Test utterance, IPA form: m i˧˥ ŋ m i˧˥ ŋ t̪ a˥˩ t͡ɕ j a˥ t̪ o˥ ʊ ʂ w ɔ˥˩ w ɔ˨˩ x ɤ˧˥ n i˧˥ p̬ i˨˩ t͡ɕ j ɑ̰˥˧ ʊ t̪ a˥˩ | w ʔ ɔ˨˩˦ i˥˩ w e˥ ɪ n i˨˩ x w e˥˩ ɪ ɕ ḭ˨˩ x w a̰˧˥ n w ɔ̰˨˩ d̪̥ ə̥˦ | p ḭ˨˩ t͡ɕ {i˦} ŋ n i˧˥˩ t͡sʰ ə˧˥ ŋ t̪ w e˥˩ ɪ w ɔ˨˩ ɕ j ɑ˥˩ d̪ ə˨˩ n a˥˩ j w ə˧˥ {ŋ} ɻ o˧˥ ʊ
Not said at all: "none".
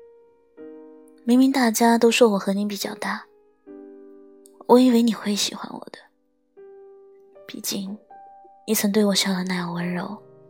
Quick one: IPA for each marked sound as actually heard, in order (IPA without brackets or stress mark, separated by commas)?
i˥˩, n